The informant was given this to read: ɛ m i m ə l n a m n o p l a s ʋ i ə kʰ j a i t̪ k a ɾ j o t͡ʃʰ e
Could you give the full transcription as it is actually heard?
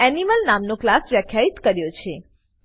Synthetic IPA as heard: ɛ n i m ə l n a m n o k l a s ʋ j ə kʰ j a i t̪ k ə ɾ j o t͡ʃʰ e